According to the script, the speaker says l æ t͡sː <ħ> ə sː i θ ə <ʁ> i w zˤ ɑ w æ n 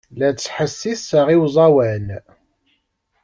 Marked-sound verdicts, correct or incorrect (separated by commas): correct, correct